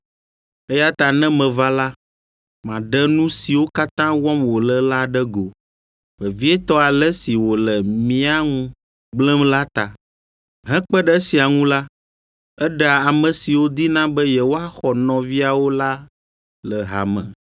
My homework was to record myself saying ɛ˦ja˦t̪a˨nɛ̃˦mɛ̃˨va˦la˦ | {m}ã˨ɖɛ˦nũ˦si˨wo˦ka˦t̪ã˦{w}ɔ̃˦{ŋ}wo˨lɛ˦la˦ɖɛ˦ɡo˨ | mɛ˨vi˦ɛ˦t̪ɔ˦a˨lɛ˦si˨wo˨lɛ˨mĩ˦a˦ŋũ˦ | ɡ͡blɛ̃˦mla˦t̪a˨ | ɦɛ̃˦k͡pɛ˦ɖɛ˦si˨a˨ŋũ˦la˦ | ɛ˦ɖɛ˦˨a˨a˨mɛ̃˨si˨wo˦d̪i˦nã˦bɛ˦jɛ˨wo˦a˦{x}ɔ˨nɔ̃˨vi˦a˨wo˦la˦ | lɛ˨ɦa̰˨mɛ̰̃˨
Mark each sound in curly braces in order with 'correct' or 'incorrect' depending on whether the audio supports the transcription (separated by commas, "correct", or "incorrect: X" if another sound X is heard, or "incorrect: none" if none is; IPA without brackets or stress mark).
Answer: correct, correct, incorrect: m, correct